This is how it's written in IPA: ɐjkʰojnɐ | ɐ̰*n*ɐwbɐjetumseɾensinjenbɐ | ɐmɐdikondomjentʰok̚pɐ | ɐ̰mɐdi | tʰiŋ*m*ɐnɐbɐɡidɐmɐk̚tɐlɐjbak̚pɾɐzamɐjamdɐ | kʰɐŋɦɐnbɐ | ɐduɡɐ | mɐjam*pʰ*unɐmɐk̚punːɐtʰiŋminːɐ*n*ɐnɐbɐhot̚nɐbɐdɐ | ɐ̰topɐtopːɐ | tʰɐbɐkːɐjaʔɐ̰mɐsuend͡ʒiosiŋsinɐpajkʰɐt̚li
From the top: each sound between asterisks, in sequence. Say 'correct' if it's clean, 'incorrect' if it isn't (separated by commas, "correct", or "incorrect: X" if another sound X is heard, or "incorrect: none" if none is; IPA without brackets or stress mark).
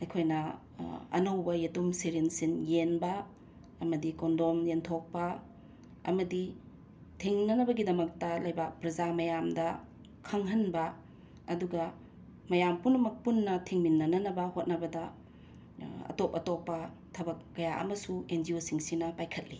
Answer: correct, incorrect: n, incorrect: p, correct